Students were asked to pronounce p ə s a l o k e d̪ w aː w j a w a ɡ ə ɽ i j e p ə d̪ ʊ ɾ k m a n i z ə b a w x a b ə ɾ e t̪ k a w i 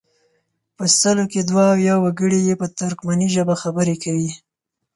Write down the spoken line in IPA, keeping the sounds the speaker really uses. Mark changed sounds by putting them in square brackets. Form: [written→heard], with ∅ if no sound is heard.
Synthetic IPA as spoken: p ə s [a→ə] l o k e d̪ w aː w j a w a ɡ ə ɽ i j e p ə [d̪→t̪] ʊ ɾ k m a n i [z→ʒ] ə b a [w→∅] x a b ə ɾ e [t̪→∅] k a w i